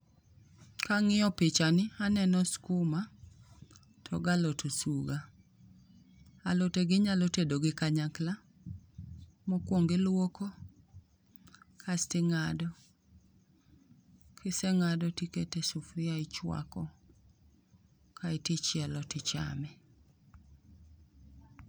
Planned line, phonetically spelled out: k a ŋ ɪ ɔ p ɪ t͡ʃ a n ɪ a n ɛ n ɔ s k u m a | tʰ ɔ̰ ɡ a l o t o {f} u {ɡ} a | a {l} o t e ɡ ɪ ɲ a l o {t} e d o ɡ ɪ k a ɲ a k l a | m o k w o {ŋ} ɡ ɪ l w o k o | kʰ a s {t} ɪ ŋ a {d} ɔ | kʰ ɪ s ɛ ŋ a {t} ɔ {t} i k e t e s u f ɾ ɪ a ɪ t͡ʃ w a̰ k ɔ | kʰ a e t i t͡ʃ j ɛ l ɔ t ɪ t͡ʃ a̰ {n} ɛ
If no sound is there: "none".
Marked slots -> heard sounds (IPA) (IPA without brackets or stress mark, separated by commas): s, ɡ, l, t, ŋ, t, d, d, t, m